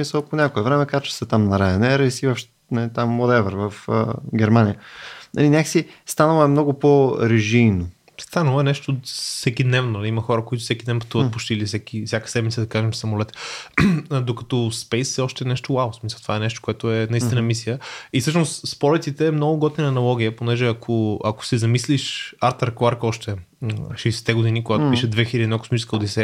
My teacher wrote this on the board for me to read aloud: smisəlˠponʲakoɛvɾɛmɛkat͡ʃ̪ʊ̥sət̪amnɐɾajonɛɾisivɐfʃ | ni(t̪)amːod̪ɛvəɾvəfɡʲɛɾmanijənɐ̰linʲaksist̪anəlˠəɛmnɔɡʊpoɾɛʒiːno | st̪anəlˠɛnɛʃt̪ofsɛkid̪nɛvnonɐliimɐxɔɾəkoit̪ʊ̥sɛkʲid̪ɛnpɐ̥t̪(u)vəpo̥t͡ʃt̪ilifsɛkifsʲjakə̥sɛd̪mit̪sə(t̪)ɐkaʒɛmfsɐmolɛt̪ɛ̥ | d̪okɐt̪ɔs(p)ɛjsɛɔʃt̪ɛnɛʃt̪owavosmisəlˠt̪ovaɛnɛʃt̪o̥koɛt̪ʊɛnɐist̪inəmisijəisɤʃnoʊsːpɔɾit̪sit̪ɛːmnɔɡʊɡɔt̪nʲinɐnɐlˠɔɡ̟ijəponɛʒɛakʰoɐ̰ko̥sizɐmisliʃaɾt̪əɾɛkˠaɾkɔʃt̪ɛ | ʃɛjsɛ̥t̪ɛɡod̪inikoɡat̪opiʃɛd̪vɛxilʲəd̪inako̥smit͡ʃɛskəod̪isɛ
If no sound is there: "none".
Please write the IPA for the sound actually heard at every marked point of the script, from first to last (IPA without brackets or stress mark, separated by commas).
t̪, u, d̪, p